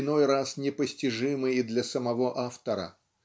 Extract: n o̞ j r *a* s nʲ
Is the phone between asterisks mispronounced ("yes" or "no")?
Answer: no